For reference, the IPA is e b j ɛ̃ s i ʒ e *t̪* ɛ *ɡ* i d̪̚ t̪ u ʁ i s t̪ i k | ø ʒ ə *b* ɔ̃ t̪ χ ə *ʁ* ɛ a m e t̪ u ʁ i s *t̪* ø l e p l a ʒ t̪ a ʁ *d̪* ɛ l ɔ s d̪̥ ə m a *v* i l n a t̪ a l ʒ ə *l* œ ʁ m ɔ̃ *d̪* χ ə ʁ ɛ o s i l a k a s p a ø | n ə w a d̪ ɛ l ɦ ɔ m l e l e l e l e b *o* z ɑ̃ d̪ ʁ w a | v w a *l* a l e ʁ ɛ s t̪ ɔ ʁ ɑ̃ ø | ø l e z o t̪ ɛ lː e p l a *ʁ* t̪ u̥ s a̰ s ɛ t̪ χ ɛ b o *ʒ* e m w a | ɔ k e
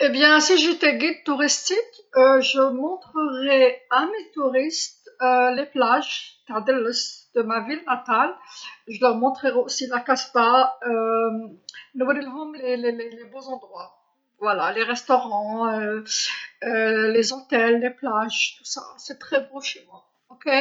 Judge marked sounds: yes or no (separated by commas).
yes, yes, no, yes, yes, yes, yes, yes, no, yes, yes, no, no